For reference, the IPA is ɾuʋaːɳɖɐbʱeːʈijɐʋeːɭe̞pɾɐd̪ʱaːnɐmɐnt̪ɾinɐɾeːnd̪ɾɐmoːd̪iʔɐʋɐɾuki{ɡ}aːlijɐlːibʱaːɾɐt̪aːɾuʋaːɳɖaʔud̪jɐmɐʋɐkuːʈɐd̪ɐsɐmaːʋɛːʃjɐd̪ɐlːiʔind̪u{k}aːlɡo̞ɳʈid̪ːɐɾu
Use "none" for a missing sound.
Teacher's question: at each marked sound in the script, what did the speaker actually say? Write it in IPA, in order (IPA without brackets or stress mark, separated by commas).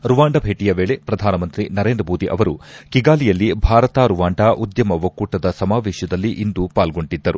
ɡ, p